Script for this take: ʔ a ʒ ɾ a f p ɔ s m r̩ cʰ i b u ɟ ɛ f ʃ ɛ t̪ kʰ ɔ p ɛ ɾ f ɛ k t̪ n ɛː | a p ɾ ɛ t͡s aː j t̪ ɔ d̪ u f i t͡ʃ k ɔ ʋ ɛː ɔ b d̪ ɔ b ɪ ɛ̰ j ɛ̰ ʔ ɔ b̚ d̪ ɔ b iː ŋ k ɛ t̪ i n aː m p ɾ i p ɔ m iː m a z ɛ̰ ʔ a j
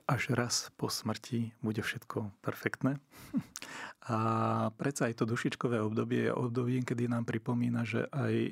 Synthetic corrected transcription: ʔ a ʒ ɾ a s p ɔ s m r̩ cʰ i b u ɟ ɛ f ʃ ɛ t̪ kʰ ɔ p ɛ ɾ f ɛ k t̪ n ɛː | a p ɾ ɛ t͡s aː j t̪ ɔ d̪ u ʃ i t͡ʃ k ɔ ʋ ɛː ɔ b d̪ ɔ b ɪ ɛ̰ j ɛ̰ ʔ ɔ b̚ d̪ ɔ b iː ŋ k ɛ d̪ i n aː m p ɾ i p ɔ m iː n a ʒ ɛ̰ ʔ a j